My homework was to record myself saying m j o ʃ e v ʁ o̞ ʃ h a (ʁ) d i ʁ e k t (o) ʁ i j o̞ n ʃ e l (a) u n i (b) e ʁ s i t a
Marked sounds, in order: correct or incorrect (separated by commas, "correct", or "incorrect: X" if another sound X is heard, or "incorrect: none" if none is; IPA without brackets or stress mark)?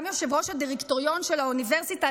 incorrect: none, correct, correct, incorrect: v